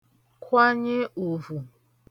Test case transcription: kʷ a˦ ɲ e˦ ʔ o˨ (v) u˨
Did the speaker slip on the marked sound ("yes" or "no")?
no